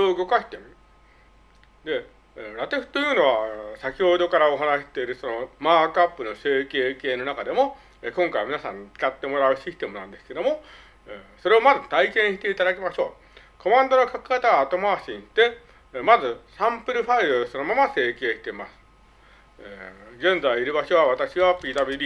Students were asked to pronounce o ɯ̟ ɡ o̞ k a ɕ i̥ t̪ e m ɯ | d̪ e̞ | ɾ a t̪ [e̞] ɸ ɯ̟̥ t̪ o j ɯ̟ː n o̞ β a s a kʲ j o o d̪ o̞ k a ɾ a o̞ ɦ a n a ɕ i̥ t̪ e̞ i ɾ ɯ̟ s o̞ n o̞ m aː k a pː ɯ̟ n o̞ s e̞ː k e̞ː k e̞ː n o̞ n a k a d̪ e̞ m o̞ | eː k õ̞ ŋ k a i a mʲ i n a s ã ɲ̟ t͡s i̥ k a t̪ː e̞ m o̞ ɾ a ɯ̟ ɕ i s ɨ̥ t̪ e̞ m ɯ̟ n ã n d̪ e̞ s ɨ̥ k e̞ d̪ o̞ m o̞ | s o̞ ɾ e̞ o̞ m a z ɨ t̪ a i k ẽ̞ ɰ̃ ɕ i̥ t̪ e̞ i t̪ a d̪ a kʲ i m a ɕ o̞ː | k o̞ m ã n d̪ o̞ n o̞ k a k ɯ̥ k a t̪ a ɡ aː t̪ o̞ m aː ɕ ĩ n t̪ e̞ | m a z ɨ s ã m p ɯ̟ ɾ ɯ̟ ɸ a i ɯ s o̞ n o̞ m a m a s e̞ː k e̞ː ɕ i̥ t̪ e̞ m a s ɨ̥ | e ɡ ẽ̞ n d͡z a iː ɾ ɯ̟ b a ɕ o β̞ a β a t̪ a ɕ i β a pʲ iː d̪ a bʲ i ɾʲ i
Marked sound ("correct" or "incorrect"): correct